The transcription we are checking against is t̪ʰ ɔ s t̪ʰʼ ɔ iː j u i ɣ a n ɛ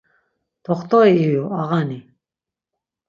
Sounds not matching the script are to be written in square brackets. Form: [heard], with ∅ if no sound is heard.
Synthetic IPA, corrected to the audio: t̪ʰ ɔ [χ] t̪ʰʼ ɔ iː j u [a] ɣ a n [i]